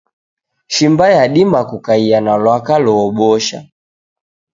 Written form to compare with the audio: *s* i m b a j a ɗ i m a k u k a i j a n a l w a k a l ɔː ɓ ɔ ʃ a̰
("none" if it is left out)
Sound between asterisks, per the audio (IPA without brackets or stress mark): ʃ